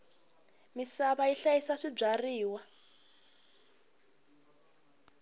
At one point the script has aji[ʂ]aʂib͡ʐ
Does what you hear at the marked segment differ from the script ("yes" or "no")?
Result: yes